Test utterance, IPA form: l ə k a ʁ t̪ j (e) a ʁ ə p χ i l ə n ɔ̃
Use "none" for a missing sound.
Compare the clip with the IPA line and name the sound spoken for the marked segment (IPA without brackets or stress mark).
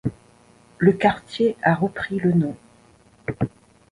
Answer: e